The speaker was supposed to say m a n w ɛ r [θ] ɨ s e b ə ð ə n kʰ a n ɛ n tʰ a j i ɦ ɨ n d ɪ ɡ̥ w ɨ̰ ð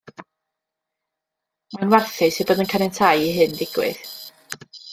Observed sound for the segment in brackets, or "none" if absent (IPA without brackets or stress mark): θ